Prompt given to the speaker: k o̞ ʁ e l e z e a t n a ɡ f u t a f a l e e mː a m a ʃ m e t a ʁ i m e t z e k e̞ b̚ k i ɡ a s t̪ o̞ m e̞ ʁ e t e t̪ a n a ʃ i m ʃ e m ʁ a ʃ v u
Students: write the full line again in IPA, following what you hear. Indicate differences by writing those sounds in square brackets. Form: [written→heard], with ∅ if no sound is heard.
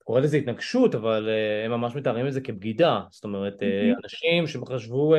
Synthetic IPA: k o̞ ʁ e l e z e [a→i] t n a ɡ [f→ʃ] u t a [f→v] a l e e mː a m a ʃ m e t a ʁ i m e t z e k e̞ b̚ [k→ɡ] i [ɡ→d] a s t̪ o̞ m e̞ ʁ e t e [t̪→∅] a n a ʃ i m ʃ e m [ʁ→χ] a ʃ v u